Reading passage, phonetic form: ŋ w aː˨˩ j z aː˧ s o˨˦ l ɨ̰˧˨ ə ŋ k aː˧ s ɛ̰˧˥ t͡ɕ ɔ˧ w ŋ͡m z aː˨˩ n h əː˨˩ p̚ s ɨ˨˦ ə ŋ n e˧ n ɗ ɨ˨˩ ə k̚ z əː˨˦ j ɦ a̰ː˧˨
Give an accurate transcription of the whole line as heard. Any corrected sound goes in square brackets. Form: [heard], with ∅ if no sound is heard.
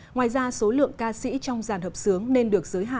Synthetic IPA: ŋ w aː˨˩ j z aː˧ s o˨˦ l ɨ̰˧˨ ə ŋ k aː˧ s [ḭ˧˥] t͡ɕ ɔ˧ w ŋ͡m z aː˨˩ n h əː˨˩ p̚ s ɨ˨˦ ə ŋ n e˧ n ɗ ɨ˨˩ ə k̚ z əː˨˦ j ɦ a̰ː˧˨